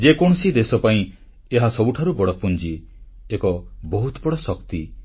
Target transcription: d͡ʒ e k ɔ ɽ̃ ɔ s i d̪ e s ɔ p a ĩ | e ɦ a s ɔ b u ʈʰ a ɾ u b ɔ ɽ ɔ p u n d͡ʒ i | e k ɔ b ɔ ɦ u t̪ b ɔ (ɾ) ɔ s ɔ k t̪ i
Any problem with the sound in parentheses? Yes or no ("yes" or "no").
yes